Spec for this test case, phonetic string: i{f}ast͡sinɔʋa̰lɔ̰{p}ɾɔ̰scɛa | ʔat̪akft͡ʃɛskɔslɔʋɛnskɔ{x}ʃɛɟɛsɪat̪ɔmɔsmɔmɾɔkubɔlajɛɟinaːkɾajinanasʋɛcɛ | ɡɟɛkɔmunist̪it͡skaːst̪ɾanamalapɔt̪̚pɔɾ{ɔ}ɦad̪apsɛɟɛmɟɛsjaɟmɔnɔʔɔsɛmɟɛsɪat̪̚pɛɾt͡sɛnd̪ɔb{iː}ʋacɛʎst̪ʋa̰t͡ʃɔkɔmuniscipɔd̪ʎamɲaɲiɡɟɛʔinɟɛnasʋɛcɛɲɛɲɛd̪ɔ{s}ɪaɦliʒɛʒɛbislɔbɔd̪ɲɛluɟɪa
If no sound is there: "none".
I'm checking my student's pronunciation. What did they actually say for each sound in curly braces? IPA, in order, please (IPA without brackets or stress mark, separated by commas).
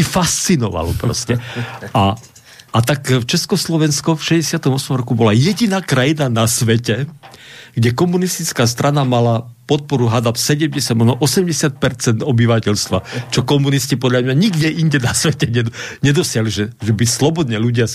f, p, f, u, i, s